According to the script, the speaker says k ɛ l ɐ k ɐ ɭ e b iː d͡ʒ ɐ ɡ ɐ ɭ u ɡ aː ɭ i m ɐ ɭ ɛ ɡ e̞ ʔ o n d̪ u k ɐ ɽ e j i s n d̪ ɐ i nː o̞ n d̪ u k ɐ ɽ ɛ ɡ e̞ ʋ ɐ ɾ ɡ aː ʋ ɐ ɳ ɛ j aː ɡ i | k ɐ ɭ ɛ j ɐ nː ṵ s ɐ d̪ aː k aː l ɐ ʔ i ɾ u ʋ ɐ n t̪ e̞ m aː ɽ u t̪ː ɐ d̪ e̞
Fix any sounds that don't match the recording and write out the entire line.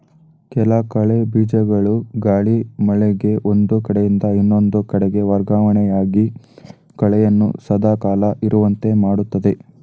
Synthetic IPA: k ɛ l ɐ k ɐ ɭ e b iː d͡ʒ ɐ ɡ ɐ ɭ u ɡ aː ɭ i m ɐ ɭ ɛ ɡ e̞ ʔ o n d̪ u k ɐ ɽ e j i n d̪ ɐ i nː o̞ n d̪ u k ɐ ɽ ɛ ɡ e̞ ʋ ɐ ɾ ɡ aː ʋ ɐ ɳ ɛ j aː ɡ i | k ɐ ɭ ɛ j ɐ nː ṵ s ɐ d̪ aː k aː l ɐ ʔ i ɾ u ʋ ɐ n t̪ e̞ m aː ɽ u t̪ː ɐ d̪ e̞

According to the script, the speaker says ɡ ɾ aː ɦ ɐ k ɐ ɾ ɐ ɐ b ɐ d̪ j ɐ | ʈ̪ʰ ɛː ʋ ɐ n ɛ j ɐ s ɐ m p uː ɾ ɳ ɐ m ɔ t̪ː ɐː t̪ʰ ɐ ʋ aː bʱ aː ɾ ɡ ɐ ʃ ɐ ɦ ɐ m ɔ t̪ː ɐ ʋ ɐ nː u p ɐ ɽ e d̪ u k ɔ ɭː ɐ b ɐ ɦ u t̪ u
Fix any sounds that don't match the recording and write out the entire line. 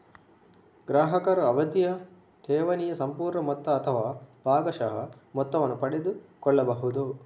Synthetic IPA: ɡ ɾ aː ɦ ɐ k ɐ ɾ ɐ ɐ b ɐ d̪ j ɐ | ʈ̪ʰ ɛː ʋ ɐ n i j ɐ s ɐ m p uː ɾ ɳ ɐ m ɔ t̪ː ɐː t̪ʰ ɐ ʋ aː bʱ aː ɡ ɐ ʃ ɐ ɦ ɐ m ɔ t̪ː ɐ ʋ ɐ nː u p ɐ ɽ e d̪ u k ɔ ɭː ɐ b ɐ ɦ u d̪ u

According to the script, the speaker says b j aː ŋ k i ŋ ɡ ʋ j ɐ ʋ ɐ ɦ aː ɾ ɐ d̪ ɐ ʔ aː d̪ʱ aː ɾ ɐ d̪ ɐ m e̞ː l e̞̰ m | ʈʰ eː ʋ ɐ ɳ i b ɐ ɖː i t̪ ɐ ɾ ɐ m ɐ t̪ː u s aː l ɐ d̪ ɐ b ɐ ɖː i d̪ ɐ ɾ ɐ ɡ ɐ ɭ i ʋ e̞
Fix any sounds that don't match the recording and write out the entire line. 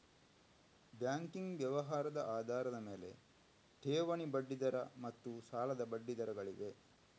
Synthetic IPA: b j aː ŋ k i ŋ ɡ ʋ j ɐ ʋ ɐ ɦ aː ɾ ɐ d̪ ɐ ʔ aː d̪ʱ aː ɾ ɐ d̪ ɐ m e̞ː l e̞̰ | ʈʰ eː ʋ ɐ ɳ i b ɐ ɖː i d̪ ɐ ɾ ɐ m ɐ t̪ː u s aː l ɐ d̪ ɐ b ɐ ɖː i d̪ ɐ ɾ ɐ ɡ ɐ ɭ i ʋ e̞

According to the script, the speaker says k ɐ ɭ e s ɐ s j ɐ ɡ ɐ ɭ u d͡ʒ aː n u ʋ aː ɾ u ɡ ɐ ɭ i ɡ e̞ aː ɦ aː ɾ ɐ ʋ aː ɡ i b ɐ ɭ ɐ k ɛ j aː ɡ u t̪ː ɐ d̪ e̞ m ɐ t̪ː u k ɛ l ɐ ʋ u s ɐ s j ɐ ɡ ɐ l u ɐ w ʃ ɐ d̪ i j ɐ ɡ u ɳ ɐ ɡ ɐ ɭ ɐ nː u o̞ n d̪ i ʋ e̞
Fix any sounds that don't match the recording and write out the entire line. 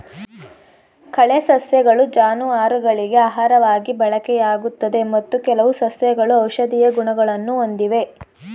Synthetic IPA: k ɐ ɭ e s ɐ s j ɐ ɡ ɐ ɭ u d͡ʒ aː n u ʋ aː ɾ u ɡ ɐ ɭ i ɡ e̞ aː ɦ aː ɾ ɐ ʋ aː ɡ i b ɐ ɭ ɐ k ɛ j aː ɡ u t̪ː ɐ d̪ e̞ m ɐ t̪ː u k ɛ l ɐ ʋ u s ɐ s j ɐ ɡ ɐ ɭ u ɐ w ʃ ɐ d̪ i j ɐ ɡ u ɳ ɐ ɡ ɐ ɭ ɐ nː u o̞ n d̪ i ʋ e̞

